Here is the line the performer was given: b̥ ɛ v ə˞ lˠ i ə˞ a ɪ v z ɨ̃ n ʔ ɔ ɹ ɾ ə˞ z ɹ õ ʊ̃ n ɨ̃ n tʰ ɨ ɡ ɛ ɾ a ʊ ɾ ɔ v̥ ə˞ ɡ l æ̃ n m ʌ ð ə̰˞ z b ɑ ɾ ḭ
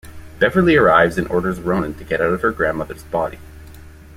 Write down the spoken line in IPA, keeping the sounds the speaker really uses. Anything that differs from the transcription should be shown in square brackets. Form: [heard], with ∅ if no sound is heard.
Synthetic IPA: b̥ ɛ v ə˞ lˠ i ə˞ a ɪ v z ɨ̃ n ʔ ɔ ɹ ɾ ə˞ z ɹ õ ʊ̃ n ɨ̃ n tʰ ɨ ɡ ɛ ɾ a ʊ ɾ [ʌ] v̥ ə˞ ɡ [ɹ] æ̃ n m ʌ ð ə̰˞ z b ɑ ɾ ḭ